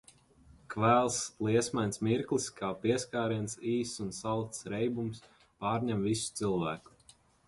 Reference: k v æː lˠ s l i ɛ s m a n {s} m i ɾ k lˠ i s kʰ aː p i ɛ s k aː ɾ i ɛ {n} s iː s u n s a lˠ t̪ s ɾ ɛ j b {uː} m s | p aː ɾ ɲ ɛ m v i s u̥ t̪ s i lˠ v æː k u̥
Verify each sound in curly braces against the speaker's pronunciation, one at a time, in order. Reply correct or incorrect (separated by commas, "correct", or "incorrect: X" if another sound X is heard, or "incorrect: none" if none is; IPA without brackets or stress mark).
correct, correct, incorrect: u